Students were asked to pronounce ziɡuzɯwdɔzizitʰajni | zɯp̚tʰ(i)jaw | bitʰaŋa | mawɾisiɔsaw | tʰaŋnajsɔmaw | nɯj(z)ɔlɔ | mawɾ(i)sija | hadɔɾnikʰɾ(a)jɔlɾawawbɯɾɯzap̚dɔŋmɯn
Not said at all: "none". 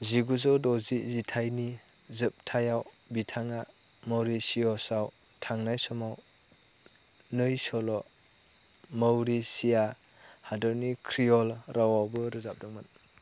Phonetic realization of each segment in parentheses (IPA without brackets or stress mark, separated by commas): a, s, i, i